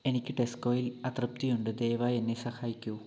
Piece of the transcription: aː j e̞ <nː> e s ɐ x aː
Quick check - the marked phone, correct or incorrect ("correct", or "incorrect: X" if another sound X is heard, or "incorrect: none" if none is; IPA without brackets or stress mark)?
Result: correct